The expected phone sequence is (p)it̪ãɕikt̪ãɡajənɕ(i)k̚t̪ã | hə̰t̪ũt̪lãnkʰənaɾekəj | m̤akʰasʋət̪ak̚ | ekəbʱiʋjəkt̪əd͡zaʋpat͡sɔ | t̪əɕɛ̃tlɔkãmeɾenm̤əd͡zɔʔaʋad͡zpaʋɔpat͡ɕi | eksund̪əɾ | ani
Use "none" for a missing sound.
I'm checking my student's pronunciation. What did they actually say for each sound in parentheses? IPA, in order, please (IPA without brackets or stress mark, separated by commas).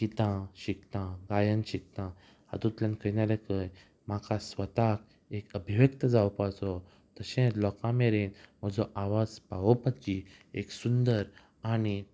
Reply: k, i